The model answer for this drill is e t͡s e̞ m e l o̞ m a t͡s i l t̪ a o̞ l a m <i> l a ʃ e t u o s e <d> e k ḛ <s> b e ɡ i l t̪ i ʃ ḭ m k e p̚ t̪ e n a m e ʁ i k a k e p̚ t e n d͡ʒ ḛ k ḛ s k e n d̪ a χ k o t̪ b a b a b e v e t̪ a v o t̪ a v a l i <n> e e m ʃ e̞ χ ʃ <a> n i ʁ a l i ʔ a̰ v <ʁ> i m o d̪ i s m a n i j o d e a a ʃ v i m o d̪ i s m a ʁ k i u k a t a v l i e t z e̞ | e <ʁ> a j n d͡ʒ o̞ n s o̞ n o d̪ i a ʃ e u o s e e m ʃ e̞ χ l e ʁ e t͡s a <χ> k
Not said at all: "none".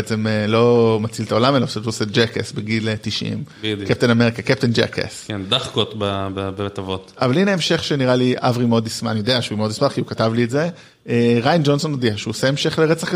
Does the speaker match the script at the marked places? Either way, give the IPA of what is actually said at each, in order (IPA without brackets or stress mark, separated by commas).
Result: e, d͡ʒ, s, n, e, ʁ, ʁ, χ